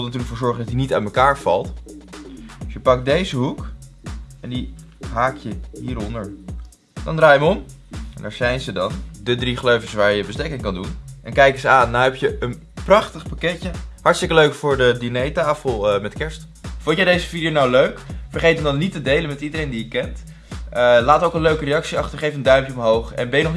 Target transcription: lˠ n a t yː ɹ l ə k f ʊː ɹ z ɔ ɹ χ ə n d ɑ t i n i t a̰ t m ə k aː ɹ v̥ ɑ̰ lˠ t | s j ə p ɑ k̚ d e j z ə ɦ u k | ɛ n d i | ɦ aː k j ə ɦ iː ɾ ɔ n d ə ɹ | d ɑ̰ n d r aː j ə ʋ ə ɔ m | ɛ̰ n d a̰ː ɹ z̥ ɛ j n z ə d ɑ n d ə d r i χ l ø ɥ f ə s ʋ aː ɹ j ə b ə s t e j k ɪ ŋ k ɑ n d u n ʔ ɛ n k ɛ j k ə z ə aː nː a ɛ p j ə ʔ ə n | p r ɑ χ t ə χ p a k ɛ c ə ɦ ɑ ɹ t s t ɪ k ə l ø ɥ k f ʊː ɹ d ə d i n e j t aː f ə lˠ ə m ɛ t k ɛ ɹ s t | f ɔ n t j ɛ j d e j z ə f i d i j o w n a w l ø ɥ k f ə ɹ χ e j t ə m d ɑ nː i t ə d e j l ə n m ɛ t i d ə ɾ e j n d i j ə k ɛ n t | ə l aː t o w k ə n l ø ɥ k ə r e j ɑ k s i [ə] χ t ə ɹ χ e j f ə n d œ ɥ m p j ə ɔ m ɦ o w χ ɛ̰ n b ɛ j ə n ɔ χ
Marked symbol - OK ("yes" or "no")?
no